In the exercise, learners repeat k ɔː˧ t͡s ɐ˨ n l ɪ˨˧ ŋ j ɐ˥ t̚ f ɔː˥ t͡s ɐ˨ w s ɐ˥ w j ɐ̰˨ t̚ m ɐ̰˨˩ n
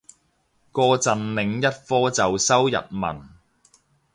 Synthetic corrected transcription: k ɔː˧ t͡s ɐ˨ n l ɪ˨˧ ŋ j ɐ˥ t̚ f ɔː˥ t͡s ɐ˨ w s ɐ˥ w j ɐ̰˨ t̚ m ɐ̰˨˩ n